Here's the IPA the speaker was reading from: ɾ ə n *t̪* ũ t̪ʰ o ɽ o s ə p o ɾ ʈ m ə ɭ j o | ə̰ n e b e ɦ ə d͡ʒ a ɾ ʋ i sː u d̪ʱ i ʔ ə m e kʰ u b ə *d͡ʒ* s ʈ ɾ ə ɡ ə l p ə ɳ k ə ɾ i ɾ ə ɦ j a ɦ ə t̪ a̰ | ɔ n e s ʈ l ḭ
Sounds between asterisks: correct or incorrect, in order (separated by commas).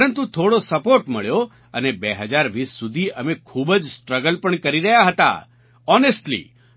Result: correct, correct